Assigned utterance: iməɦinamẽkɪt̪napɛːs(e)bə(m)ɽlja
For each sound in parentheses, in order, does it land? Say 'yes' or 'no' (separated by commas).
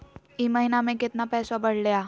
no, no